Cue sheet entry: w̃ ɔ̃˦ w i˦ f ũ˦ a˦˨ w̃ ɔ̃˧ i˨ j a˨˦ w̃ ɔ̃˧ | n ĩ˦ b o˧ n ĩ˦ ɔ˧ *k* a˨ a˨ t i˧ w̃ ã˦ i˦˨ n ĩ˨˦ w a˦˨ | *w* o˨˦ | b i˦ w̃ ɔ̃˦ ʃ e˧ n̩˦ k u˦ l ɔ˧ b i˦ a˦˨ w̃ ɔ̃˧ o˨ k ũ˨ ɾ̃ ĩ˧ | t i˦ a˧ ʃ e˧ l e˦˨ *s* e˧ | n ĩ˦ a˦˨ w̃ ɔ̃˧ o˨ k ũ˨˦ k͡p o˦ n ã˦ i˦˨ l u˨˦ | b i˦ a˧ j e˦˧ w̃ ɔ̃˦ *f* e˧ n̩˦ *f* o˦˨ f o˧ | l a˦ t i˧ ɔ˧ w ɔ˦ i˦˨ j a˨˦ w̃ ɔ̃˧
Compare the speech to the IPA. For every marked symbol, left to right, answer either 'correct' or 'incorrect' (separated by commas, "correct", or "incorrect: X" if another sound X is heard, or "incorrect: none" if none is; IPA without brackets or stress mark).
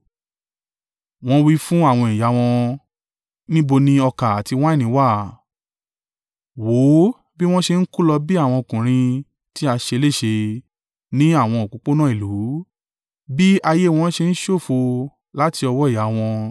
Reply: correct, correct, incorrect: ʃ, incorrect: ʃ, incorrect: ʃ